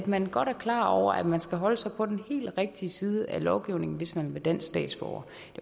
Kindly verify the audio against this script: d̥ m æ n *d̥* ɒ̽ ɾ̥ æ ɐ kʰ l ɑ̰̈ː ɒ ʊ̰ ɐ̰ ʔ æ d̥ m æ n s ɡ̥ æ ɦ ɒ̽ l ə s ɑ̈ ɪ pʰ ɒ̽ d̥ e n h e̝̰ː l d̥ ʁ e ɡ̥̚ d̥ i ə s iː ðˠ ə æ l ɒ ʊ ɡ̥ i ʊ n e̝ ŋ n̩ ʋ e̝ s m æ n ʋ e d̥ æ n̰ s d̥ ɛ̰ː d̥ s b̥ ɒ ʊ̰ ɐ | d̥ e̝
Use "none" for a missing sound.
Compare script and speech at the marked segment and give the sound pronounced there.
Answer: ɡ̥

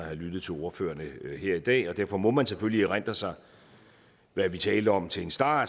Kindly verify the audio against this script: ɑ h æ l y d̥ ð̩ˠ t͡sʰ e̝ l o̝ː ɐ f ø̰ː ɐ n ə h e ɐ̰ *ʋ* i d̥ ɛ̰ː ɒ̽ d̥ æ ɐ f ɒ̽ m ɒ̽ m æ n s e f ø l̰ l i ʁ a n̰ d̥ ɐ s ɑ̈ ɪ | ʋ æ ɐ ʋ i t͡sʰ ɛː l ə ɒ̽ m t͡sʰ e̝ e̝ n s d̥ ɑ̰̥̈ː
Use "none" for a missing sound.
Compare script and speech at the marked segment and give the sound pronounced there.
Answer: none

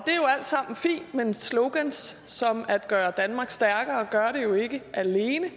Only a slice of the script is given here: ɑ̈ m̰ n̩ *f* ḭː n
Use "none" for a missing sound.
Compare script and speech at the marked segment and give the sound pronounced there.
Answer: f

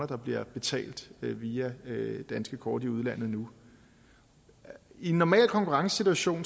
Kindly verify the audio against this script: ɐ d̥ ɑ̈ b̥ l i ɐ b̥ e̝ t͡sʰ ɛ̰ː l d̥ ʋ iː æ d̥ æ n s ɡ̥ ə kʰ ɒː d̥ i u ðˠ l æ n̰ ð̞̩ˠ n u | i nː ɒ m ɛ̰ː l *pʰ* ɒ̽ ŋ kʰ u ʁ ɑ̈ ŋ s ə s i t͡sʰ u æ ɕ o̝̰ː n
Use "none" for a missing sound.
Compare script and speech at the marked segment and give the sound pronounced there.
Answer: kʰ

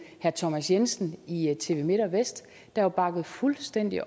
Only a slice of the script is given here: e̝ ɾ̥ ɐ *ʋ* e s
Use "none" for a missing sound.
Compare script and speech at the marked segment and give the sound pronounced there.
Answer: ʋ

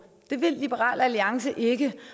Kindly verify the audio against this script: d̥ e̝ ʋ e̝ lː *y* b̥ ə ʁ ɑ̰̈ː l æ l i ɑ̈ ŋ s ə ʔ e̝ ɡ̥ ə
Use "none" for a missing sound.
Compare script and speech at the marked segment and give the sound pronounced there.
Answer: i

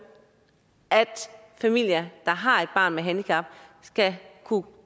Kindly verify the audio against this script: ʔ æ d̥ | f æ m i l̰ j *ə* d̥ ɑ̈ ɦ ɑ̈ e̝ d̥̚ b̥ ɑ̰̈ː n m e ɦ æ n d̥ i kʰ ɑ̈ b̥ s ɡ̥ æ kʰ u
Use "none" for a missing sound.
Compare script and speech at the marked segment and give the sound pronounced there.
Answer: ɐ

